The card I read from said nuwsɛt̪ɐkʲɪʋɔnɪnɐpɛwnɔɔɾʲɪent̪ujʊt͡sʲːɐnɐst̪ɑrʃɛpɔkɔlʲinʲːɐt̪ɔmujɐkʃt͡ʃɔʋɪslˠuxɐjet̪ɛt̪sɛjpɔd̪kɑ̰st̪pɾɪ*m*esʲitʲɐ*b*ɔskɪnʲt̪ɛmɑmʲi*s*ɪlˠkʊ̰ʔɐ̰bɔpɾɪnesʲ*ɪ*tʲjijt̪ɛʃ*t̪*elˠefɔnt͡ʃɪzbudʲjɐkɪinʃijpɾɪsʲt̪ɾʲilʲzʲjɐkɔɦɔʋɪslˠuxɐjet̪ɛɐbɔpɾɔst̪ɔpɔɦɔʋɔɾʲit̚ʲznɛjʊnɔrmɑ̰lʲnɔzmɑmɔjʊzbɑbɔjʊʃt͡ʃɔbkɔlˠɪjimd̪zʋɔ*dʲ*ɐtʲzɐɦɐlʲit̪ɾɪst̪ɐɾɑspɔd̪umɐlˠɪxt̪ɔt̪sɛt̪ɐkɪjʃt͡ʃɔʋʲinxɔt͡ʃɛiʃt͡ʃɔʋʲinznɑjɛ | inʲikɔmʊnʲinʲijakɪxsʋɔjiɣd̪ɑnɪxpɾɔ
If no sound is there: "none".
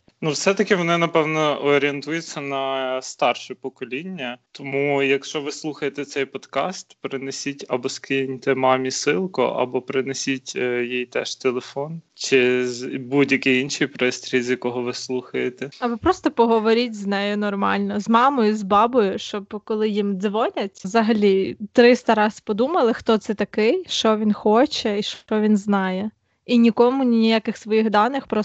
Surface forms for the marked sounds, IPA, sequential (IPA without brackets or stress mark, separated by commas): n, b, s, i, t̪, nʲ